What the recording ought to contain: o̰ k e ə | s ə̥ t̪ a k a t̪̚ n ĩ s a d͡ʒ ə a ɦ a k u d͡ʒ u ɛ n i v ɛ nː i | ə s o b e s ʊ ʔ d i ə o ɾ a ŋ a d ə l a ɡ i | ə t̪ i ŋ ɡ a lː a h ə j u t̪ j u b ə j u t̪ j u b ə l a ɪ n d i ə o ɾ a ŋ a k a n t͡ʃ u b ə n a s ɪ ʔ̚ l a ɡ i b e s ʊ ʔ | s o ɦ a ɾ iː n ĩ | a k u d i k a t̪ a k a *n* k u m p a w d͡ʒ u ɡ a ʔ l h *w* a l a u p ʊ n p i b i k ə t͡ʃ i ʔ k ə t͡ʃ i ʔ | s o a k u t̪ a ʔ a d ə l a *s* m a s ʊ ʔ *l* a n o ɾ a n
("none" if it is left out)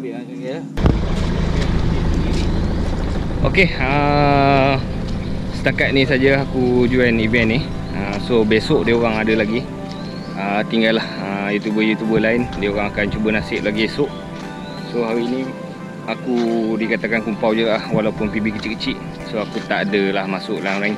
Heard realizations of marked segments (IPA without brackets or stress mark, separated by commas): n, w, h, l